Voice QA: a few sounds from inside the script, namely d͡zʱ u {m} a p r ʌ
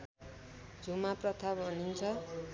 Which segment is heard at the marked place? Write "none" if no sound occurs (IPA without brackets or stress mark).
m